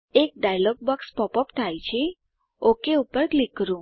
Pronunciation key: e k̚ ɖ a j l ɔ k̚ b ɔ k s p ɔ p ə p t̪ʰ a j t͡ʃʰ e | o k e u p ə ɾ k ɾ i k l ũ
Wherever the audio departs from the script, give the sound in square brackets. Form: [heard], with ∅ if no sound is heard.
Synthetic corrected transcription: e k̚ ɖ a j l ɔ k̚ b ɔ k s p ɔ p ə p t̪ʰ a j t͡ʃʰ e | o k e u p ə ɾ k [l] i k [ɾ] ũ